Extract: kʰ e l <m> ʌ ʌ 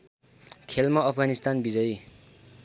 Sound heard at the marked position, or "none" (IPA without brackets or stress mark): m